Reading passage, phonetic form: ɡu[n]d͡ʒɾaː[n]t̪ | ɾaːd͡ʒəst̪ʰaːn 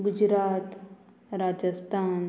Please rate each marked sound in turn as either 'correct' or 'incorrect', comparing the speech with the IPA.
incorrect: none, incorrect: none

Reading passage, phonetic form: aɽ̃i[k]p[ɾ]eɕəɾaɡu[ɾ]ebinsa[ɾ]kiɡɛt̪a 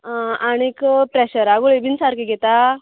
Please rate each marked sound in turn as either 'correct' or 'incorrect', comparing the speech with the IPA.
correct, correct, incorrect: ɭ, correct

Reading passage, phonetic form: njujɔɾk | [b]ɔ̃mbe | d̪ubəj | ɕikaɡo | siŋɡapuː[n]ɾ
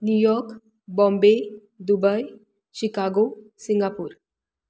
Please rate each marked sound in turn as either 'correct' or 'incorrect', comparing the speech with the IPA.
correct, incorrect: none

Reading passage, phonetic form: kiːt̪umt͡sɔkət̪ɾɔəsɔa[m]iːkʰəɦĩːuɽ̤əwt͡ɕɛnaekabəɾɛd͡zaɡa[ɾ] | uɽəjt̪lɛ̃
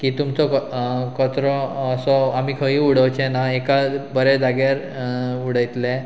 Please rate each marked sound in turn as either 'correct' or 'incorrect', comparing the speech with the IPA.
correct, correct

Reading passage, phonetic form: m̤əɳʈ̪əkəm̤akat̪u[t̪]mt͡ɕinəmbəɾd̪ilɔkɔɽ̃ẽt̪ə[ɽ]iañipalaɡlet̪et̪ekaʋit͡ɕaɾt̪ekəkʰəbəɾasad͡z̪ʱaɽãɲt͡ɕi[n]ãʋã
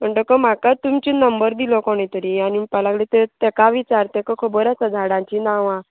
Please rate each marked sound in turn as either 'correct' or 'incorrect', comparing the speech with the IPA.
incorrect: none, incorrect: ɾ, correct

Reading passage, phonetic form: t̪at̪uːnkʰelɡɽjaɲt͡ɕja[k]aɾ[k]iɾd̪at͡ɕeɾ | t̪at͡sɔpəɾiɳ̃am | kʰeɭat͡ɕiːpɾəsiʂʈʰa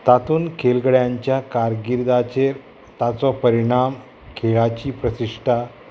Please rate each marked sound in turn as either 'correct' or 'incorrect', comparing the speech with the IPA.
correct, incorrect: ɡ

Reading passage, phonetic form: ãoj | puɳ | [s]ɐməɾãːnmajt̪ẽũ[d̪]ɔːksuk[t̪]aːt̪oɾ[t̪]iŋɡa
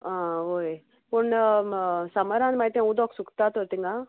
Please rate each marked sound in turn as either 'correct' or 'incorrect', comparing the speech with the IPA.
correct, correct, correct, correct

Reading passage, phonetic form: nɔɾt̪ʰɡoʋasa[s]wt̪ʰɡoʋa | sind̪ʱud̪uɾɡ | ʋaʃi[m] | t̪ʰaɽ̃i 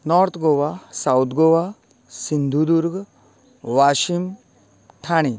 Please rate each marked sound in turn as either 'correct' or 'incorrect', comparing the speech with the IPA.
incorrect: none, correct

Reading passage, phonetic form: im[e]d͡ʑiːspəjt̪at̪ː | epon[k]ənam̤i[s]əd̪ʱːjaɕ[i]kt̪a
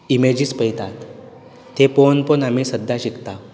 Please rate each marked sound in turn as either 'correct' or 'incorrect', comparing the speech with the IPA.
correct, incorrect: p, correct, correct

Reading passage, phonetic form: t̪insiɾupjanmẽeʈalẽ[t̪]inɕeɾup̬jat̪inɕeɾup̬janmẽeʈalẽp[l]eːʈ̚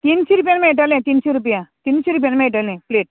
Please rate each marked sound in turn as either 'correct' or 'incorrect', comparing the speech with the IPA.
correct, correct

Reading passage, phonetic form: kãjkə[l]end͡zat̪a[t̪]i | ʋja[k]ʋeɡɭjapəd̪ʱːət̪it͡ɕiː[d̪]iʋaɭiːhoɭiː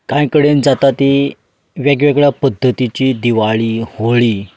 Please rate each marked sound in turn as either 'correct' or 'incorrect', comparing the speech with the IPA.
incorrect: ɽ, correct, incorrect: ɡ, correct

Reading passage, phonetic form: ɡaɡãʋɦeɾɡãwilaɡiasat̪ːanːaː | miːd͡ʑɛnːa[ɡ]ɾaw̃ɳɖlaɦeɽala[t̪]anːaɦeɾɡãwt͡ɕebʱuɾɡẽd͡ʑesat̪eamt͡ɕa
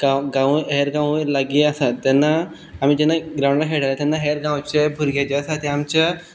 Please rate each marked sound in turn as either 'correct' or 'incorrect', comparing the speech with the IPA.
correct, correct

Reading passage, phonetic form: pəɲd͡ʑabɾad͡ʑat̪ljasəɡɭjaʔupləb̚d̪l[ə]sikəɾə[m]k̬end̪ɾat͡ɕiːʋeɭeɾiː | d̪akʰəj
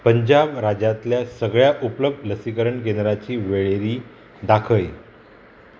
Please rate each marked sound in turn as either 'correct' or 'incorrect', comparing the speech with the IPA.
correct, incorrect: ɳ

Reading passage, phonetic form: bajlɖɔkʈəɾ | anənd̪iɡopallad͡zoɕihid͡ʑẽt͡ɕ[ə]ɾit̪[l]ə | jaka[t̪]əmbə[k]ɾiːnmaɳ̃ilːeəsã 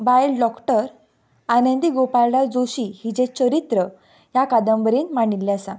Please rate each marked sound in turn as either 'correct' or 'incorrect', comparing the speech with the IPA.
correct, incorrect: ɾ, incorrect: d̪, incorrect: none

